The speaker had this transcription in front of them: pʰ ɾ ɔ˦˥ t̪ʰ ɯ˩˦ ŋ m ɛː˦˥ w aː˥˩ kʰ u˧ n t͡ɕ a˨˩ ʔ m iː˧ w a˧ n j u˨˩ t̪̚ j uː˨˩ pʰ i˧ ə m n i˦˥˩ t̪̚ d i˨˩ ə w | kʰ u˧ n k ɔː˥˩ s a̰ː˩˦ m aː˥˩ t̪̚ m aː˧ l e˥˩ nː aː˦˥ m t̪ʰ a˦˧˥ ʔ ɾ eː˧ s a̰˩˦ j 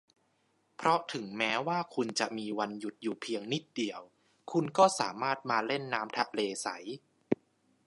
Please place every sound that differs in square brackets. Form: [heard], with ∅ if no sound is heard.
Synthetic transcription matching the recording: pʰ ɾ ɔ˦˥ t̪ʰ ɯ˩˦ ŋ m ɛː˦˥ w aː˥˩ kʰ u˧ n t͡ɕ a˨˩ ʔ m iː˧ w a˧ n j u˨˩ t̪̚ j uː˨˩ pʰ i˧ ə [ŋ] n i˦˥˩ t̪̚ d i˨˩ ə w | kʰ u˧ n k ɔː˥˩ s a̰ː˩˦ m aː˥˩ t̪̚ m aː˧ l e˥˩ nː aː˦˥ m t̪ʰ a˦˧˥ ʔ [l] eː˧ s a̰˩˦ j